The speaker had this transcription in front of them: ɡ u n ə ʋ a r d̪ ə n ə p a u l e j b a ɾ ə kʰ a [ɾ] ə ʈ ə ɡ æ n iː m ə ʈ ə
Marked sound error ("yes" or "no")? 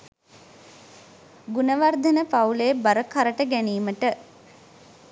no